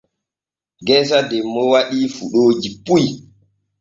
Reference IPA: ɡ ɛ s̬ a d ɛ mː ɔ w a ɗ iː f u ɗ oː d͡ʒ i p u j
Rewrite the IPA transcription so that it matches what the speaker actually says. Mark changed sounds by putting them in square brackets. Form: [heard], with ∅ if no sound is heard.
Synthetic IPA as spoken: ɡ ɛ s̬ a d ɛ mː ɔ w a ɗ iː f u ɗ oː d͡ʒ i p u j

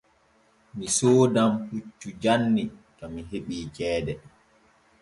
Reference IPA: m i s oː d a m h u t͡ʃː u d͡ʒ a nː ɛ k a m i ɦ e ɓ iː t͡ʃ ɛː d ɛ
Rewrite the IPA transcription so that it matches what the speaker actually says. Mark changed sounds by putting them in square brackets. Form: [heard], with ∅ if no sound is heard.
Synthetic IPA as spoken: m i s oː d a m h u t͡ʃː u d͡ʒ a nː [i] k a m i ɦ e ɓ iː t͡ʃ ɛː d ɛ

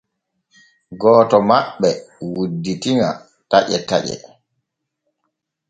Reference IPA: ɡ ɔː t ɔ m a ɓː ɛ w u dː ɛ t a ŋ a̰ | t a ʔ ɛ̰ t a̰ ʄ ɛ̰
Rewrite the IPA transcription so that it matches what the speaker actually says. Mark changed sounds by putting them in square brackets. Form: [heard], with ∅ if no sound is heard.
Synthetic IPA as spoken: ɡ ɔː t ɔ m a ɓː ɛ w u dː [i] t [i] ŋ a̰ | t a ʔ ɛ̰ t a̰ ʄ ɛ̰

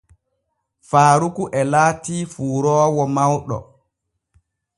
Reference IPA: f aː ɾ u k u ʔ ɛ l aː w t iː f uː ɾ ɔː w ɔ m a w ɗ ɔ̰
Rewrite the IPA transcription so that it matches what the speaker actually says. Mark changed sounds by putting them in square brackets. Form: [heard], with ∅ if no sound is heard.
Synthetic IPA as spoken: f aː ɾ u k u ʔ ɛ l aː [∅] t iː f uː ɾ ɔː w ɔ m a w ɗ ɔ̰

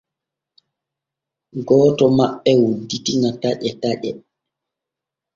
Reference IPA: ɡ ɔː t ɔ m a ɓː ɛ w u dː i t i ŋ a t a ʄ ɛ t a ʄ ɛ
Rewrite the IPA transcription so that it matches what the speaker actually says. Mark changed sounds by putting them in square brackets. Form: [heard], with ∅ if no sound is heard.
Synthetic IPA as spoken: ɡ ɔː t ɔ m a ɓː ɛ w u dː i t i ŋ a t a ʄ ɛ t a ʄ ɛ

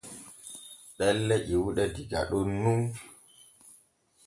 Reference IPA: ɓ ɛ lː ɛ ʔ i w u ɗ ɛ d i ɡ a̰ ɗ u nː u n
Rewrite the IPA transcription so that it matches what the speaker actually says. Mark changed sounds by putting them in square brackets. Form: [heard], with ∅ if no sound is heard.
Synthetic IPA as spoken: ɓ ɛ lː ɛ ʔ i w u ɗ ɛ d i ɡ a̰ ɗ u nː u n

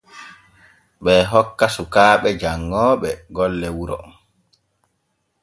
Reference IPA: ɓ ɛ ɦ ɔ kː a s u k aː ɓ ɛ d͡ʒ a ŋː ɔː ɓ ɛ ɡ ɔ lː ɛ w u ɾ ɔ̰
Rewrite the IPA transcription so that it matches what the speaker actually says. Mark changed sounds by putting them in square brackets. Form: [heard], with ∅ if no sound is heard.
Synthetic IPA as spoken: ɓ ɛ ɦ ɔ kː a s u k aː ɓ ɛ d͡ʒ a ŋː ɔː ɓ ɛ ɡ ɔ lː ɛ w u ɾ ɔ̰

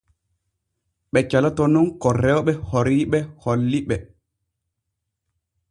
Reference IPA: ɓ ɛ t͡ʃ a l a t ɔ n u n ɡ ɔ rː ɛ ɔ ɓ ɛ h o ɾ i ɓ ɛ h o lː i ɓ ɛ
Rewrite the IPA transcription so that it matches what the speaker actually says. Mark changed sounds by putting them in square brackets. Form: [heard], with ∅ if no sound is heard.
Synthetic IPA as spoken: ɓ ɛ t͡ʃ a l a t ɔ n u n [k] ɔ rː ɛ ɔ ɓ ɛ h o ɾ i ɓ ɛ h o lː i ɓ ɛ

